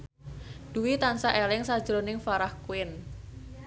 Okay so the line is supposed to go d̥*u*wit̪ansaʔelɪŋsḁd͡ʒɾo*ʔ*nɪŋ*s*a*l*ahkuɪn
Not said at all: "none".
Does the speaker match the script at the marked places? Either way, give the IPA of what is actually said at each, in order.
u, none, f, ɾ

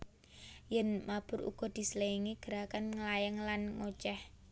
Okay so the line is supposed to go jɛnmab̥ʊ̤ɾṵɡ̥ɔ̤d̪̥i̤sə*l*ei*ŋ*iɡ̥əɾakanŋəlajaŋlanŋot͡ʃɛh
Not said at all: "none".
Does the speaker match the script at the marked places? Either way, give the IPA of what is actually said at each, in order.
l, ŋ

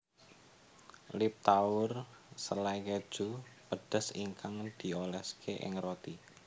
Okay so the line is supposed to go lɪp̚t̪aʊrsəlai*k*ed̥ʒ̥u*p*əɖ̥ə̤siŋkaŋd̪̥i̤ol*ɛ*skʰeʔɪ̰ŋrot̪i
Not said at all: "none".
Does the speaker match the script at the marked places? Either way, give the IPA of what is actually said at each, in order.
k, p, ɛ

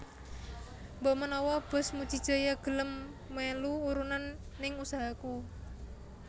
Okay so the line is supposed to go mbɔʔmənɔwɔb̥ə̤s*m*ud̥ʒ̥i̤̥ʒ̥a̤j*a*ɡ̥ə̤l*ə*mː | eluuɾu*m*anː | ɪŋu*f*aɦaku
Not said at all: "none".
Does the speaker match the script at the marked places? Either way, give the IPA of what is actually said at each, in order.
m, a, ə, n, s

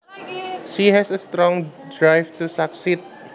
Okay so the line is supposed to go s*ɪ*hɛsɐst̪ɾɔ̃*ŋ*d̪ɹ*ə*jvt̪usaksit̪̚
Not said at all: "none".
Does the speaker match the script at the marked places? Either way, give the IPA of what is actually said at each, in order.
i, ŋ, a

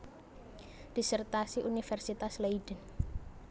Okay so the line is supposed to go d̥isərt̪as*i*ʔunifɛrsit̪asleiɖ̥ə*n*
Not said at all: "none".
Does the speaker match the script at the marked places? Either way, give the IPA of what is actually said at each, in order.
i, n

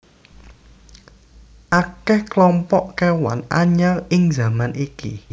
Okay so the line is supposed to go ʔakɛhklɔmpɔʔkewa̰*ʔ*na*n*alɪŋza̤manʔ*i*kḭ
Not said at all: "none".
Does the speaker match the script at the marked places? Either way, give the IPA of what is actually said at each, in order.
none, ɲ, i

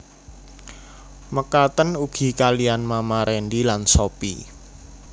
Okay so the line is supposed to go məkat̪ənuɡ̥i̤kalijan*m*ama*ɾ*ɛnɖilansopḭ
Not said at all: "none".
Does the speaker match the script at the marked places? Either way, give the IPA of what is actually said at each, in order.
m, ɾ

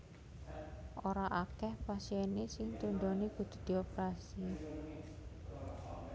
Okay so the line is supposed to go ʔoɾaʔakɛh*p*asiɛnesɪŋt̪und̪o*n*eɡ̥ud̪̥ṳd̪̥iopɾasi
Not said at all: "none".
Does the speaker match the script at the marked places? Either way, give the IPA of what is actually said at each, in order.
p, n

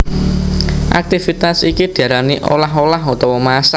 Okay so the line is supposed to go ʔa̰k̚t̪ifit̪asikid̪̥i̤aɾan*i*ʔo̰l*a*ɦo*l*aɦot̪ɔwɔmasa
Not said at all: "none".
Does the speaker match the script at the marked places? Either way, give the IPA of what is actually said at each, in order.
i, a, l

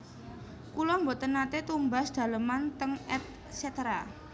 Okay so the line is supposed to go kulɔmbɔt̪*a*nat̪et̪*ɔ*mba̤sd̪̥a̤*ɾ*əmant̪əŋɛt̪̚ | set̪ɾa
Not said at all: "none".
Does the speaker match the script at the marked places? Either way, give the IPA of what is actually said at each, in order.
ə, u, l

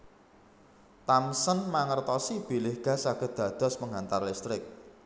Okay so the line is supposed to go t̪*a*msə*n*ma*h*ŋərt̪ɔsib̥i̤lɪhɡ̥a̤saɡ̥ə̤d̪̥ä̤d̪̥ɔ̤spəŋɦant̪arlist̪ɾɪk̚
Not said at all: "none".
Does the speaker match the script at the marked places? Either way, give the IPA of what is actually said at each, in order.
a, n, none

